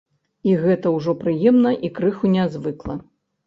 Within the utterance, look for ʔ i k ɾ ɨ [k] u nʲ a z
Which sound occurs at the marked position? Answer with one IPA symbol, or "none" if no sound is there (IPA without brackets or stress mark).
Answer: x